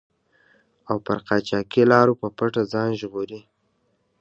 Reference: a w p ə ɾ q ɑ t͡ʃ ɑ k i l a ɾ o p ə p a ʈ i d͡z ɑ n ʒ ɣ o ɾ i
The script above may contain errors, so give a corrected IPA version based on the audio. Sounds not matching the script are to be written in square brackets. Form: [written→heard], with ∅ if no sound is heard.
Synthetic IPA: a w p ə ɾ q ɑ t͡ʃ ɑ k i l [a→ɑ] ɾ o p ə p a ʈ [i→a] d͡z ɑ n ʒ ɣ o ɾ i